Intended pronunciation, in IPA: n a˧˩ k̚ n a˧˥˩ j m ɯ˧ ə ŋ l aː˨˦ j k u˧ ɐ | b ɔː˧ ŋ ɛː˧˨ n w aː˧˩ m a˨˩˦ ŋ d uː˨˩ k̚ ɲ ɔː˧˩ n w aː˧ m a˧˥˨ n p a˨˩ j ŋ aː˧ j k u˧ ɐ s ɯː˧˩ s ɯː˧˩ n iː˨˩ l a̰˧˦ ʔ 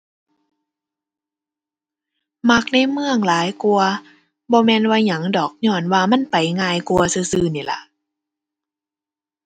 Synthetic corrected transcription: m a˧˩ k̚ n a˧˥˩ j m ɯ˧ ə ŋ l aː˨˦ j k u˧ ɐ | b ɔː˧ m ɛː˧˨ n w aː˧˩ ɲ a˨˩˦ ŋ d ɔː˨˩ k̚ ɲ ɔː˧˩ n w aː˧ m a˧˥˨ n p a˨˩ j ŋ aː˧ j k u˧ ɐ s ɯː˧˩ s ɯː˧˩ n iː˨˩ l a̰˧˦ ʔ

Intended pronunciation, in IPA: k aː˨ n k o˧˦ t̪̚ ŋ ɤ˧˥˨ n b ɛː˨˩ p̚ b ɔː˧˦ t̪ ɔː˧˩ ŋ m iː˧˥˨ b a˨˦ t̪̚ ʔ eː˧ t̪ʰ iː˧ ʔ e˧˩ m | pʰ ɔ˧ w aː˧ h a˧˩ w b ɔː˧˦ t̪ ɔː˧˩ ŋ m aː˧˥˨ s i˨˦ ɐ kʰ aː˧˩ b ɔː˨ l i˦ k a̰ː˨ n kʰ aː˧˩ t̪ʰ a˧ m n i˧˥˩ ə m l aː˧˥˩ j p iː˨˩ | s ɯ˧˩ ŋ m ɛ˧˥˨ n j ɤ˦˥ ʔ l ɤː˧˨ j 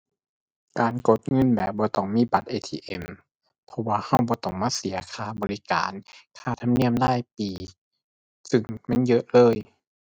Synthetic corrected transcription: k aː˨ n k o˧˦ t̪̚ ŋ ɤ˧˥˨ n b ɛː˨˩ p̚ b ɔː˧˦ t̪ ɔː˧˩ ŋ m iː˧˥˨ b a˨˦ t̪̚ ʔ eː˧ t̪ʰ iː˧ ʔ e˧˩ m | pʰ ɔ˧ w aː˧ h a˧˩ w b ɔː˧˦ t̪ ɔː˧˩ ŋ m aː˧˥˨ s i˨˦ ɐ kʰ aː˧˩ b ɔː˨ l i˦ k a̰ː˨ n kʰ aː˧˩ t̪ʰ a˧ m n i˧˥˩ ə m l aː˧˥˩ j p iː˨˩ | s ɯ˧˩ ŋ m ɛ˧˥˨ n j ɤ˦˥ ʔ l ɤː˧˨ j

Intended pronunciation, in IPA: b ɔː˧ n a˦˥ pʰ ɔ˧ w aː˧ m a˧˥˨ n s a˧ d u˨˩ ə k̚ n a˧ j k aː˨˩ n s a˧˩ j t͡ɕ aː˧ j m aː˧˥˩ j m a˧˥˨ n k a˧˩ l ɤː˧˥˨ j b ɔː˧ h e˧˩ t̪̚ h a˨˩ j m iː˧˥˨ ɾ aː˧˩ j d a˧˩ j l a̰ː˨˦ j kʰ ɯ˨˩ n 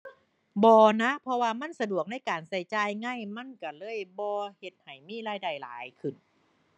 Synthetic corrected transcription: b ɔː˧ n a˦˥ pʰ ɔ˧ w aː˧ m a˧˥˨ n s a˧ d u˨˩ ə k̚ n a˧˥˩ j k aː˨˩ n s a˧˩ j t͡ɕ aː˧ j ŋ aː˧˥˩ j m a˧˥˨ n k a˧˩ l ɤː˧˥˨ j b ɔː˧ h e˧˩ t̪̚ h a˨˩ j m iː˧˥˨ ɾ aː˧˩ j d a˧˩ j l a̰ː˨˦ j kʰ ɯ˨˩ n

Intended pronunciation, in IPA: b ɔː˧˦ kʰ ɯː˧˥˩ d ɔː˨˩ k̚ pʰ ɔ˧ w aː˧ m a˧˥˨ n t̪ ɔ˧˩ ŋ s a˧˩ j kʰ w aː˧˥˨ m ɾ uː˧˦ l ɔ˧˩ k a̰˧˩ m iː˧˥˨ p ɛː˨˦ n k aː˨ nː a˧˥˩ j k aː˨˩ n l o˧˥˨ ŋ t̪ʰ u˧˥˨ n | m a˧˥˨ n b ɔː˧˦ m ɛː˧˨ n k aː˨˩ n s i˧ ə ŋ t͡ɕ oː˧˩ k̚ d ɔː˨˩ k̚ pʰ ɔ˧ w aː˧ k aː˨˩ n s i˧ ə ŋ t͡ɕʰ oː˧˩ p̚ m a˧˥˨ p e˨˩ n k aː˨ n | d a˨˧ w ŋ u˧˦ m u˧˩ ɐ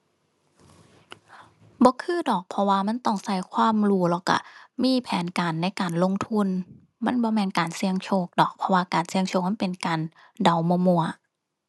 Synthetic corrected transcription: b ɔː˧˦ kʰ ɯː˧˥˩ d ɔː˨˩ k̚ pʰ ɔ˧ w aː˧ m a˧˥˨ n t̪ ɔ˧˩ ŋ s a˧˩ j kʰ w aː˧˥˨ m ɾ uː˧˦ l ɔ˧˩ k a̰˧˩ m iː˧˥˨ pʰ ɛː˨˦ n k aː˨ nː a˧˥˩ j k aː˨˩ n l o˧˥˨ ŋ t̪ʰ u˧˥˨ n | m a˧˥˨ n b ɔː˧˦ m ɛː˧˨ n k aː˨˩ n s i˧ ə ŋ t͡ɕʰ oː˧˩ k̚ d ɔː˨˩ k̚ pʰ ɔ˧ w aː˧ k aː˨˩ n s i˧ ə ŋ t͡ɕʰ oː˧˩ k̚ m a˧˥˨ p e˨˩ n k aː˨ n | d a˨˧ w m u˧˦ m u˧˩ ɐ

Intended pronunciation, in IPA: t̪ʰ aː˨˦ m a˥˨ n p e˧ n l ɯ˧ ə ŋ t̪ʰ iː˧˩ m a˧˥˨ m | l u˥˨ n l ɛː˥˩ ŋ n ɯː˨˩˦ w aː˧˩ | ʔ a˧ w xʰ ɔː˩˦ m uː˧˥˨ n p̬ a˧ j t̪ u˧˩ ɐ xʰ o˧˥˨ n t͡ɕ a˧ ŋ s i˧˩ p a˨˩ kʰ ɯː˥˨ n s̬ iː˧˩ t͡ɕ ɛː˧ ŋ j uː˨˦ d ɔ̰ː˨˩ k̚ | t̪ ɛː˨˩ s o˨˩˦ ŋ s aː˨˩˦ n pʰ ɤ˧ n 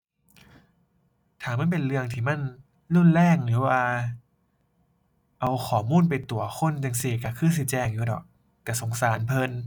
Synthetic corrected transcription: t̪ʰ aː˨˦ m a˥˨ n p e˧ n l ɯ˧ ə ŋ t̪ʰ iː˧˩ m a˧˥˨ n | l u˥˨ n l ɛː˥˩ ŋ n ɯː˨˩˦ w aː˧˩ | ʔ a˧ w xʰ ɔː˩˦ m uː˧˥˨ n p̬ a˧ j t̪ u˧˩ ɐ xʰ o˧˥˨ n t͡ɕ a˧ ŋ s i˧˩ k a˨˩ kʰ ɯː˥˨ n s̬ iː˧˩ t͡ɕ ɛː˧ ŋ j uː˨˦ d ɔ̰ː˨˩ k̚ | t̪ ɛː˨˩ s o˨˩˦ ŋ s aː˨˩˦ n pʰ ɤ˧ n

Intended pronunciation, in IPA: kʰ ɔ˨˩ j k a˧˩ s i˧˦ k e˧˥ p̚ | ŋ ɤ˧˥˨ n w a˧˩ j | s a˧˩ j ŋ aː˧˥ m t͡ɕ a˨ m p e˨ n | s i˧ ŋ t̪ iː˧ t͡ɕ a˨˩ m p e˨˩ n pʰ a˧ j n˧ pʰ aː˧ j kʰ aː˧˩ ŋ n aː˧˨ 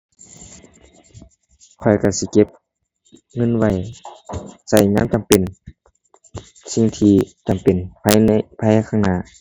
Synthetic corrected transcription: kʰ ɔ˨˩ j k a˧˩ s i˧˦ k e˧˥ p̚ | ŋ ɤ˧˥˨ n w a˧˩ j | s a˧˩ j ŋ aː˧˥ m t͡ɕ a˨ m p e˨ n | s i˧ ŋ t̪ʰ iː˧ t͡ɕ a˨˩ m p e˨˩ n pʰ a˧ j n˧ pʰ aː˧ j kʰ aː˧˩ ŋ n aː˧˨

